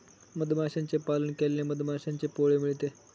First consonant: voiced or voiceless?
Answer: voiced